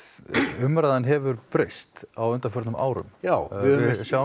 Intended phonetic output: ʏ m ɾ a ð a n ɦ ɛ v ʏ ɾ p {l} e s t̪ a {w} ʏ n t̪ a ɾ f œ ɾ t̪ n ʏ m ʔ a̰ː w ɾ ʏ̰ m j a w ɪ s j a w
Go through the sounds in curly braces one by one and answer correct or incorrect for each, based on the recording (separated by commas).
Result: incorrect, correct